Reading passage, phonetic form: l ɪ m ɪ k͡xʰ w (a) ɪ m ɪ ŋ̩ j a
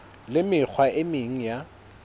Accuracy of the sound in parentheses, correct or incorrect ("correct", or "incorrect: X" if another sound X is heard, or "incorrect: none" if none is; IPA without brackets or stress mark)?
correct